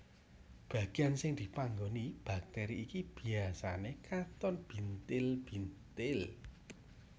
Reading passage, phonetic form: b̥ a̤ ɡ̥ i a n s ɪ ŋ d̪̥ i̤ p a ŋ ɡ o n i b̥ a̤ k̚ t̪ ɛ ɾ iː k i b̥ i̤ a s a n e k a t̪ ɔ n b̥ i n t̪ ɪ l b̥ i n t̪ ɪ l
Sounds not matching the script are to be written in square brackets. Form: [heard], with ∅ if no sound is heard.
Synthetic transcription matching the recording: b̥ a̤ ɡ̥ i a n s ɪ ŋ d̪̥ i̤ p a ŋ ɡ o n i b̥ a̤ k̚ t̪ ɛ ɾ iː k i b̥ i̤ a s a n e k a t̪ ɔ n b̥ i n t̪ ɪ l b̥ i n t̪ ɪ l